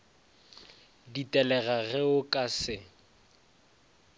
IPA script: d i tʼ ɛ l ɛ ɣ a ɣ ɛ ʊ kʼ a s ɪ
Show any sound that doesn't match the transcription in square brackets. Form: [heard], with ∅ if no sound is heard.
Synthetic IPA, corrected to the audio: d i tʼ ɛ l ɛ ɣ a ɣ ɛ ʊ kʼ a s ɪ